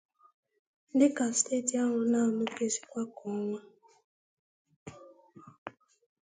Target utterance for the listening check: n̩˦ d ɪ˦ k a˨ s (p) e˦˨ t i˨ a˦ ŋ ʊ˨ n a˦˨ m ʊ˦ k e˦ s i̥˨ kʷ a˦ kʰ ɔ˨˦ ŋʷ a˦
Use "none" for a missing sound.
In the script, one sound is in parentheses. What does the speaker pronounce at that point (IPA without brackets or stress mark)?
t